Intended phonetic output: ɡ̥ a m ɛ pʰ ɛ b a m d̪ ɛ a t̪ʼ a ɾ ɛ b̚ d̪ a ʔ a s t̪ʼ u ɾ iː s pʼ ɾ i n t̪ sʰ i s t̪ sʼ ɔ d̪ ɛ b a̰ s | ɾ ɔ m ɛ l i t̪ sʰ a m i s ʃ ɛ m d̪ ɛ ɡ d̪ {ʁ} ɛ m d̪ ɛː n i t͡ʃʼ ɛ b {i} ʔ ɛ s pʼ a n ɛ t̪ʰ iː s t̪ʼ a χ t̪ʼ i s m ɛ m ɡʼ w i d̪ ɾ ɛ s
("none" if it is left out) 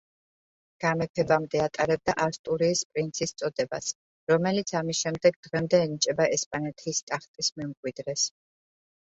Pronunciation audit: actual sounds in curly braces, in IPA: ʁ, a

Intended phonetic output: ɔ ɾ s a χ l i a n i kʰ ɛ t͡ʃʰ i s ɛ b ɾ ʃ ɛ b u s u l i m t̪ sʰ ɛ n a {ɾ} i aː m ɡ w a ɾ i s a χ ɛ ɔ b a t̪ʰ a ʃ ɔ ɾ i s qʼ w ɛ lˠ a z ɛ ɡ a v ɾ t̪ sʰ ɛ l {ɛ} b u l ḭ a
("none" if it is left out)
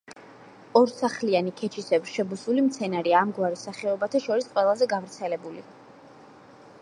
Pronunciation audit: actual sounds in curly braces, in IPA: ɾ, ɛ

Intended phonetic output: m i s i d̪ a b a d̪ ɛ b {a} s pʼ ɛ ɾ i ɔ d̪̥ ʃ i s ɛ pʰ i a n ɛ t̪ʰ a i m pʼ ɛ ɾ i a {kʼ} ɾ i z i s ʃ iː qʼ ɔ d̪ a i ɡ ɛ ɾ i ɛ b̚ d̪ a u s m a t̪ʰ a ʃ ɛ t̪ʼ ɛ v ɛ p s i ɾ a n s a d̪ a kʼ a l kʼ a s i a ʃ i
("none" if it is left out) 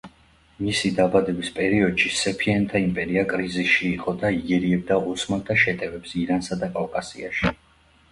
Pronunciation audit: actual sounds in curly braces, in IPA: i, kʼ

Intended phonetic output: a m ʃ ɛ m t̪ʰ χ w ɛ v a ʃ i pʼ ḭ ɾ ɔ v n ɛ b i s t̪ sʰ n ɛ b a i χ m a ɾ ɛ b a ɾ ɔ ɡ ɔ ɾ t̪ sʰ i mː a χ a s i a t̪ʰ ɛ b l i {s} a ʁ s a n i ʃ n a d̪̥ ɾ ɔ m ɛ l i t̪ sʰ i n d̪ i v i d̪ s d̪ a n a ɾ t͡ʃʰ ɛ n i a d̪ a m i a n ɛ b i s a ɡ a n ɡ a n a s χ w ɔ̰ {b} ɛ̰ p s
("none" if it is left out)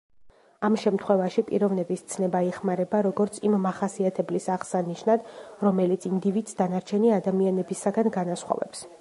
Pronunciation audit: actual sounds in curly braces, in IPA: s, v

